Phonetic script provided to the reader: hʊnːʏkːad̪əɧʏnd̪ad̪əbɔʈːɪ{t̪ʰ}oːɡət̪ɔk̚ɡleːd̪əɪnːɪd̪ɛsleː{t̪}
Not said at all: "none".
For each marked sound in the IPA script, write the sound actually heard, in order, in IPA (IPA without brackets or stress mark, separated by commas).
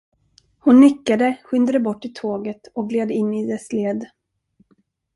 t̪ʰ, d̪